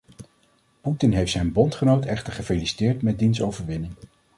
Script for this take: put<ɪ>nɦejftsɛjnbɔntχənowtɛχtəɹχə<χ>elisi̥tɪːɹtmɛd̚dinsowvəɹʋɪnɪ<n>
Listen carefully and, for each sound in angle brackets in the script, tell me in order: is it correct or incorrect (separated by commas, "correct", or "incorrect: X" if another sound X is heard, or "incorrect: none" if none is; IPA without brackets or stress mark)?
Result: correct, incorrect: f, incorrect: ŋ